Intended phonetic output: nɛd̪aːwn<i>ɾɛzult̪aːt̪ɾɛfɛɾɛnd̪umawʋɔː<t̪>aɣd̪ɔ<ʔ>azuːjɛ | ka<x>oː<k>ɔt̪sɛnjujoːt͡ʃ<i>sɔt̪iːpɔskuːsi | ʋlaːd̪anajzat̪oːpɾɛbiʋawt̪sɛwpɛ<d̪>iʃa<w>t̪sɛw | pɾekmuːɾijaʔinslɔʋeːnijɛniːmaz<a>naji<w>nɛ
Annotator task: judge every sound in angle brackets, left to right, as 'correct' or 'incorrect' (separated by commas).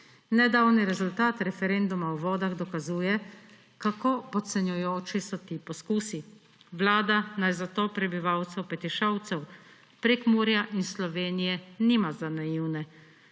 correct, incorrect, incorrect, incorrect, incorrect, correct, incorrect, correct, correct, correct